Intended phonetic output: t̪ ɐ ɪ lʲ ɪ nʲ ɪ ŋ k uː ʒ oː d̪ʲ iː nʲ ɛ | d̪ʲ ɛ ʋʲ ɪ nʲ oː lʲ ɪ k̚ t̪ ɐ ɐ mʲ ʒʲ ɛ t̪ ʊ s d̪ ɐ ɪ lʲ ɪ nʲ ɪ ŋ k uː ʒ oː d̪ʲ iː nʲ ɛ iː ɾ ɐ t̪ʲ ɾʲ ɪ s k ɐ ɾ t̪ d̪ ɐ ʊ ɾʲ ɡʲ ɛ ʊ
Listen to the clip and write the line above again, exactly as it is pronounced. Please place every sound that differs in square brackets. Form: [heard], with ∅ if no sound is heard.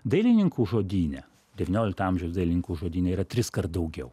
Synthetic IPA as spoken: [d̪] ɐ ɪ lʲ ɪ nʲ ɪ ŋ k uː ʒ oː d̪ʲ iː nʲ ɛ | d̪ʲ ɛ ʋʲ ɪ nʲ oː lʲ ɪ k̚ t̪ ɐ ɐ mʲ ʒʲ ɛ [∅] ʊ s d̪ ɐ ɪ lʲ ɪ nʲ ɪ ŋ k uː ʒ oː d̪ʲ iː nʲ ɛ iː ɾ ɐ t̪ʲ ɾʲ ɪ s k ɐ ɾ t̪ d̪ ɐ ʊ [∅] ɡʲ ɛ ʊ